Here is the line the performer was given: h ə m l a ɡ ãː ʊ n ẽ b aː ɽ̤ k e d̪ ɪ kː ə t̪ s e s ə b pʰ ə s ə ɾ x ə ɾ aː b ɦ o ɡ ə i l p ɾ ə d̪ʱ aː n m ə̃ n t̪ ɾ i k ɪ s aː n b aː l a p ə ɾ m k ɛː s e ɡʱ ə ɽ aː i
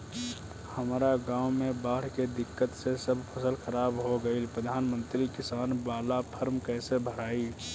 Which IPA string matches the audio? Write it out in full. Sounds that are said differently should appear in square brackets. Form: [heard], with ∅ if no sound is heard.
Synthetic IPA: h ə m [ɾ] a ɡ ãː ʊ [m] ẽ b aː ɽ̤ k e d̪ ɪ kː ə t̪ s e s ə b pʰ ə s ə [l] x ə ɾ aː b ɦ o ɡ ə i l p ɾ ə d̪ʱ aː n m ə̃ n t̪ ɾ i k ɪ s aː n b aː l a [pʰ] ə ɾ m k ɛː s e [bʱ] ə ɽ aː i